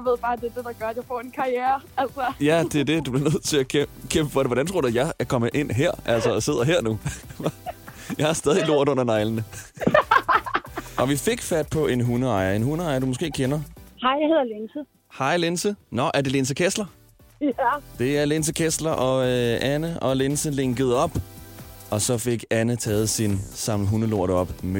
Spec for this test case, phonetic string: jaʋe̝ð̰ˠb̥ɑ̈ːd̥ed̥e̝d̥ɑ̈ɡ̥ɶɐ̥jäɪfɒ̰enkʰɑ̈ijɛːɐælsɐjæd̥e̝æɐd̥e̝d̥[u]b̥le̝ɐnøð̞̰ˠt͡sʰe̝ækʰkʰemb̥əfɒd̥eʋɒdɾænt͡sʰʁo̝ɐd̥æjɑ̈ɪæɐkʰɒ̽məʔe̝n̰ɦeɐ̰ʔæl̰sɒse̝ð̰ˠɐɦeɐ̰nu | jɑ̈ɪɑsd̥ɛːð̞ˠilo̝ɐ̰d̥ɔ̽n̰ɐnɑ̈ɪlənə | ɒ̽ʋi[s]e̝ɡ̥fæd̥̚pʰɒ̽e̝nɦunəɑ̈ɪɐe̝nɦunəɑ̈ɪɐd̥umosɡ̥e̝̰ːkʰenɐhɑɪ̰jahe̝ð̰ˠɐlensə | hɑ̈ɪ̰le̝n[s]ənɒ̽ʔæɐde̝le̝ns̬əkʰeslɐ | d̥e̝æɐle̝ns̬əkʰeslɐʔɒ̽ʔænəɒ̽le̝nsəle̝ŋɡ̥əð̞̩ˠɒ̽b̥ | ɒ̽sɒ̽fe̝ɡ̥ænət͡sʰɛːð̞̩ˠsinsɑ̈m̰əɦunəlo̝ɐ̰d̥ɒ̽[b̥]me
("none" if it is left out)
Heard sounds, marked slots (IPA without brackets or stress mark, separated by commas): u, f, s, b̥